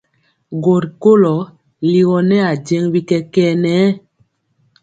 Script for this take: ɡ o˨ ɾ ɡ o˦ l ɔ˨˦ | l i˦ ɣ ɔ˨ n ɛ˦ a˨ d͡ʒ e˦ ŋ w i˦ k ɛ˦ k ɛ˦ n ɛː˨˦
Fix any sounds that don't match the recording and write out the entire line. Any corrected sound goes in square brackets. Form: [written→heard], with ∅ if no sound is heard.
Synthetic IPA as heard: ɡ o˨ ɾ [ɡ→k] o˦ l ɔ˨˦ | l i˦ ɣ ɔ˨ n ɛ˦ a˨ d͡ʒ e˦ ŋ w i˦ k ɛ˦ k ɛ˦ n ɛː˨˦